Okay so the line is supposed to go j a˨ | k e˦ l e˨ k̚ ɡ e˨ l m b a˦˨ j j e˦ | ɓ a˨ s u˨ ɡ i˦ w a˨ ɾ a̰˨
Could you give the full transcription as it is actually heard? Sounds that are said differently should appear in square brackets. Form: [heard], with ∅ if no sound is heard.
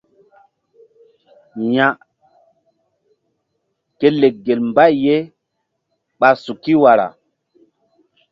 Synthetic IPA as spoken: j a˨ | k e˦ l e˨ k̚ ɡ e˨ l m b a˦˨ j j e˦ | ɓ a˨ s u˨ [k] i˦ w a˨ ɾ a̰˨